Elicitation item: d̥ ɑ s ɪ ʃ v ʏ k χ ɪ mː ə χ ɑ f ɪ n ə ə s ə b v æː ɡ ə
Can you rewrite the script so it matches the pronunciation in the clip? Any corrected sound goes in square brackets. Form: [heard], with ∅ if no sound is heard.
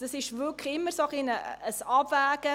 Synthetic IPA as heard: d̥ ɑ s ɪ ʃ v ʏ k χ ɪ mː ə [s] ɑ [χ] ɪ n ə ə s [ɑ] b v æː ɡ ə

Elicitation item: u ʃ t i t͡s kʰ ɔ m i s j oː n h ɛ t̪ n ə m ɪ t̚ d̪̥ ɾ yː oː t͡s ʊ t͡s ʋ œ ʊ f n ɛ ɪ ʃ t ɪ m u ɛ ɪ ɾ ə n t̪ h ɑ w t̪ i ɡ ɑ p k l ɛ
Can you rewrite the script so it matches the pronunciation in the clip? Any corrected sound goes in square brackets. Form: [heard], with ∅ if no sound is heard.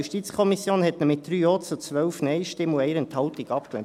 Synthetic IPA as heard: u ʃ t i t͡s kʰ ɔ m i s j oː n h ɛ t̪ n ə m ɪ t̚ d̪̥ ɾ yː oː t͡s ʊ t͡s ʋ œ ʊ f n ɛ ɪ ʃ t ɪ m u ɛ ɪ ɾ ə n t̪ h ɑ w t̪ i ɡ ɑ p k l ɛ

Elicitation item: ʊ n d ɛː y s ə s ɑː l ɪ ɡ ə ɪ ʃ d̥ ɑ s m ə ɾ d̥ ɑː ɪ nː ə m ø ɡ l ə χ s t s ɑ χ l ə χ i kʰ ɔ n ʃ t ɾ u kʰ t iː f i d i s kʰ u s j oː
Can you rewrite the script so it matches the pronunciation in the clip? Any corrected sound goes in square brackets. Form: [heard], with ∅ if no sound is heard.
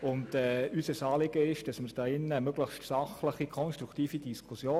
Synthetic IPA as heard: ʊ n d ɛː y s ə s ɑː l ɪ ɡ ə ɪ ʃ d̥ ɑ s m ə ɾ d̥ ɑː ɪ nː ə m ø ɡ l ə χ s t s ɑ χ l ə χ i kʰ ɔ n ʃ t ɾ u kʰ t iː f i d i s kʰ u s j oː

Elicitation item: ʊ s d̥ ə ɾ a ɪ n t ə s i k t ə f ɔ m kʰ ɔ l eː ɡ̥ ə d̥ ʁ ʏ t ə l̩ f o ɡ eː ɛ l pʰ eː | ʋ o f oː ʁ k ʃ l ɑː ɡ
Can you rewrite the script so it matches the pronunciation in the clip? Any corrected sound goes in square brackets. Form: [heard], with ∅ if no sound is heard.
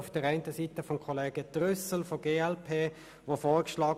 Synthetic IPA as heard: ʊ [f] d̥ ə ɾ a ɪ n t ə s i [∅] t ə f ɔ m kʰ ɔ l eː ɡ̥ ə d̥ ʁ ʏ [s] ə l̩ f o ɡ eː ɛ l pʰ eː | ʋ o f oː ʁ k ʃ l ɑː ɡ

